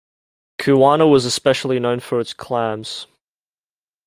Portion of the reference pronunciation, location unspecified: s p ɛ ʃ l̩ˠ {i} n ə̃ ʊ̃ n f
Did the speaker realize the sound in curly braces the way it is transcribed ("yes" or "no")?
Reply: yes